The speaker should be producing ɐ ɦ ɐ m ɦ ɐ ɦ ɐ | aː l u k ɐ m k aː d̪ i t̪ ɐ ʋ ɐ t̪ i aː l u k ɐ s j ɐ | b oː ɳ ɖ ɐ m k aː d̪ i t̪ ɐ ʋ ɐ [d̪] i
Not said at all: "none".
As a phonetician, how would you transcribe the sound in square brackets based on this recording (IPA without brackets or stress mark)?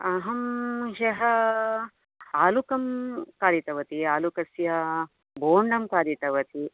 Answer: t̪